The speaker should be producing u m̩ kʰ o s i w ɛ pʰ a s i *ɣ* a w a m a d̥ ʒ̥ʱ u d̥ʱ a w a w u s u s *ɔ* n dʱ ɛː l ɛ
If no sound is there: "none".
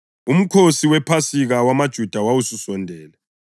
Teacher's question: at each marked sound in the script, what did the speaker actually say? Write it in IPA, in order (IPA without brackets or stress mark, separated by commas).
ɣ, ɔ